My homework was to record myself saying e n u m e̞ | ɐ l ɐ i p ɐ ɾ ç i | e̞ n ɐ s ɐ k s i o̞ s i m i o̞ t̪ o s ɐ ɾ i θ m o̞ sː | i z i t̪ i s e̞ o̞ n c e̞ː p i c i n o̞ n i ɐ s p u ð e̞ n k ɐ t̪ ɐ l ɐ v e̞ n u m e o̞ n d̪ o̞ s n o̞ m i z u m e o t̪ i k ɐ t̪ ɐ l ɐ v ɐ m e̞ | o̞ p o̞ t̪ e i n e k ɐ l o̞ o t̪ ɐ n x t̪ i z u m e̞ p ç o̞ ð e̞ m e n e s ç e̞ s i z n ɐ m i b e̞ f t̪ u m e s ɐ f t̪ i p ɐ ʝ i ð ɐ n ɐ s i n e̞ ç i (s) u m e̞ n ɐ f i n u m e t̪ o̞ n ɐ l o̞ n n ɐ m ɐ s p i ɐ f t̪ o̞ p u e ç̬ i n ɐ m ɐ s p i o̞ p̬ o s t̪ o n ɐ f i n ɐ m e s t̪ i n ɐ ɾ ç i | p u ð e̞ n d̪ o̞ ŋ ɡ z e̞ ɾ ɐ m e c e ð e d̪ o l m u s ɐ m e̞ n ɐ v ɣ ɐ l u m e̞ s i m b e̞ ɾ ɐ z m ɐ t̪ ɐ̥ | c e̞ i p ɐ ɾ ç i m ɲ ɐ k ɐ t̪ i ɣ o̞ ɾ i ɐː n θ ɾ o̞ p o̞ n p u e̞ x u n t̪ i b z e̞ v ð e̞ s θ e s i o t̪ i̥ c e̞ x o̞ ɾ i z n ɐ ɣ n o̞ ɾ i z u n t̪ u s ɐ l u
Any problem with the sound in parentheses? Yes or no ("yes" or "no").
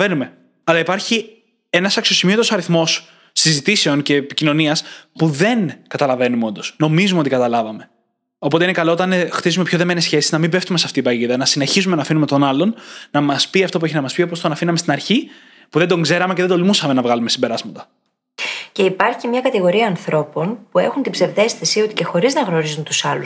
yes